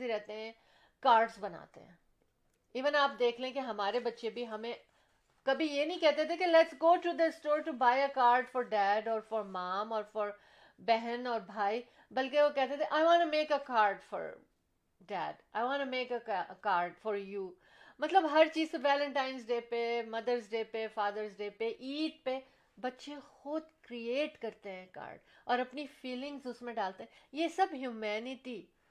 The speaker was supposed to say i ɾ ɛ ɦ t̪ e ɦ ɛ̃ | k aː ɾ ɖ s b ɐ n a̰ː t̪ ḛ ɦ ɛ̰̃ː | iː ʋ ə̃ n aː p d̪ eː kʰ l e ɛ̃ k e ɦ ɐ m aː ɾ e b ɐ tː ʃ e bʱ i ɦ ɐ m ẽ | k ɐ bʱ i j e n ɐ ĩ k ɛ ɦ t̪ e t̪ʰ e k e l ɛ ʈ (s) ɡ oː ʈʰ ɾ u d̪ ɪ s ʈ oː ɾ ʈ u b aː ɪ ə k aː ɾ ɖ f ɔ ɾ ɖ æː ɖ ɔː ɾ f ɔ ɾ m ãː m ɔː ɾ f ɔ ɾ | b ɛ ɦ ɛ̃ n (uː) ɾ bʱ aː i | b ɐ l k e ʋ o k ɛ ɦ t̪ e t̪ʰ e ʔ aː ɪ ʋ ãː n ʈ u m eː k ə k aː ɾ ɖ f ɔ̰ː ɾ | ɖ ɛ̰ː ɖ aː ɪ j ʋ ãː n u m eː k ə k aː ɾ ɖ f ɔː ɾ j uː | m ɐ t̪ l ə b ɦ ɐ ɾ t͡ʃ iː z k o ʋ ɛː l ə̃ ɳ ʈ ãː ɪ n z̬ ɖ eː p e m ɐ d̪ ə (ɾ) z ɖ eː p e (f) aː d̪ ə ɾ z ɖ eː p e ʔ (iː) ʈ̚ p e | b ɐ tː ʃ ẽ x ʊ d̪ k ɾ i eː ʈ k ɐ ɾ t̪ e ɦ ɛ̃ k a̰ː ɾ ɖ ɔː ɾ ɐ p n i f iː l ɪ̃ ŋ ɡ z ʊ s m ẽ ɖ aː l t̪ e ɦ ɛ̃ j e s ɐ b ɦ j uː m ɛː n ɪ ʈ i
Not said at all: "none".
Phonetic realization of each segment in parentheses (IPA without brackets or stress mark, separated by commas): s, ɔː, ɾ, f, iː